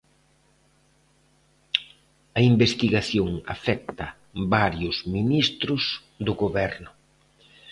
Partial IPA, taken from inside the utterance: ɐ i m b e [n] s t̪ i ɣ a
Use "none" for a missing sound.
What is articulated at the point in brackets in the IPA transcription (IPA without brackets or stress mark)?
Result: none